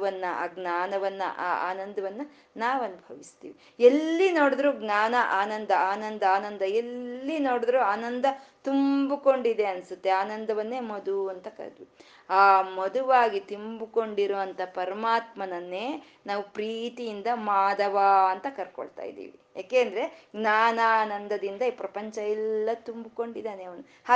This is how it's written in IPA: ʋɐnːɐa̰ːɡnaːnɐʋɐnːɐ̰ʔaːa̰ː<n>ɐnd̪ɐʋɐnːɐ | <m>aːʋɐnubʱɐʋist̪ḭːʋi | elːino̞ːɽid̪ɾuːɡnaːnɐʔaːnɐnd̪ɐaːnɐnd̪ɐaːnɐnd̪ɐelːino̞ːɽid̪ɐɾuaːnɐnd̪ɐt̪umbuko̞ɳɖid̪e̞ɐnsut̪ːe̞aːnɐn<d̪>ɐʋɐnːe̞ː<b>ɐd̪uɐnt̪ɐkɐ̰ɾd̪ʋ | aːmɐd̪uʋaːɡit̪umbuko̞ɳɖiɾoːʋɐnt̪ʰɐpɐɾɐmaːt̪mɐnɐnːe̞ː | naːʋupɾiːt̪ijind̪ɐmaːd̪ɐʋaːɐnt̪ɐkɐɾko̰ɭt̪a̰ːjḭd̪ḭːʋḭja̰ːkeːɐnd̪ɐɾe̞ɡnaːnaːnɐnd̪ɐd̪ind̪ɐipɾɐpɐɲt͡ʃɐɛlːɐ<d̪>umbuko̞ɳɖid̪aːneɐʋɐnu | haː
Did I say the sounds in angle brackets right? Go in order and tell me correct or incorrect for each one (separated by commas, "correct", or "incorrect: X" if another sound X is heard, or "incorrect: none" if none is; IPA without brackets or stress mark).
correct, incorrect: n, correct, incorrect: m, incorrect: t̪